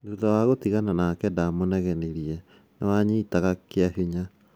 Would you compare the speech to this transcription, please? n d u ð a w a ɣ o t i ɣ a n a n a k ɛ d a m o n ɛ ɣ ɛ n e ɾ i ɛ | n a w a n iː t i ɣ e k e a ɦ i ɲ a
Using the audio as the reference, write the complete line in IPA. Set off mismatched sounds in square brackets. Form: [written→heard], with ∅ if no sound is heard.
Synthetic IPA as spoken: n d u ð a w a ɣ o t i ɣ a n a n a k ɛ d a m o n ɛ ɣ ɛ n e ɾ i ɛ | n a w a [n→ɲ] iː t [i→a] ɣ [e→a] k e a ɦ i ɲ a